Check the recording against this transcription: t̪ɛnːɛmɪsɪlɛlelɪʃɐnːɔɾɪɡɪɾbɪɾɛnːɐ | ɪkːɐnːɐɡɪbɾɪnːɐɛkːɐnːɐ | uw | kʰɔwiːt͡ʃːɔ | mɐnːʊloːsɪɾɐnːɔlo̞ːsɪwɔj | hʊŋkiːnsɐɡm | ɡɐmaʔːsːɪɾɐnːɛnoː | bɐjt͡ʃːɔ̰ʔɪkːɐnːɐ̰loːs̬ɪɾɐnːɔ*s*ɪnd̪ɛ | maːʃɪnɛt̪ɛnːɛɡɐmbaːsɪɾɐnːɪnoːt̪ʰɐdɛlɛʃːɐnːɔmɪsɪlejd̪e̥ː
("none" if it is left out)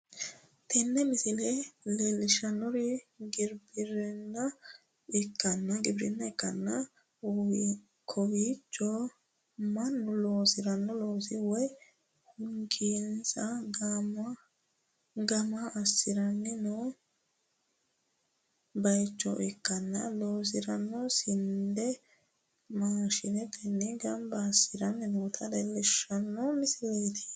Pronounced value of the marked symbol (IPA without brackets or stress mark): s